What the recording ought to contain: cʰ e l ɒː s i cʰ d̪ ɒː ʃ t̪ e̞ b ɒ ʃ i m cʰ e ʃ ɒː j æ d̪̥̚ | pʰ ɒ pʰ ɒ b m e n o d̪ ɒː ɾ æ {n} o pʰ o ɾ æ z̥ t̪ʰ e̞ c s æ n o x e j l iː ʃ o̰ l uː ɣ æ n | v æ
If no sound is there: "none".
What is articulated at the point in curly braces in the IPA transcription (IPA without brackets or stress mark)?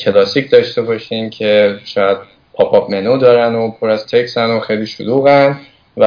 n